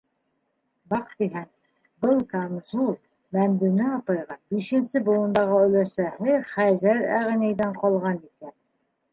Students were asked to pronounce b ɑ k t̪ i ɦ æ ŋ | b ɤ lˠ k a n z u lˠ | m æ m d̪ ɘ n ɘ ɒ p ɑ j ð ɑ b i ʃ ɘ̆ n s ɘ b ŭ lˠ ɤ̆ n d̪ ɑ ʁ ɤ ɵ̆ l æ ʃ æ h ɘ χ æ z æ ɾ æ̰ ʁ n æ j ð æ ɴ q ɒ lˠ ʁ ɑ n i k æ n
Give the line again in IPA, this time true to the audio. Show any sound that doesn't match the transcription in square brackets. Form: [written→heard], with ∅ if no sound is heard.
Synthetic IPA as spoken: b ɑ [k→q] t̪ i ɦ æ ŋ | b ɤ lˠ k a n z u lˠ | m æ m d̪ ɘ n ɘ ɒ p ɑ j [ð→ʁ] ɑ b i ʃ ɘ̆ n s ɘ b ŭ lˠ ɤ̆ n d̪ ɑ ʁ ɤ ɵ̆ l æ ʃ æ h ɘ χ æ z æ ɾ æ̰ ʁ n æ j ð æ ɴ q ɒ lˠ ʁ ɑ n i k æ n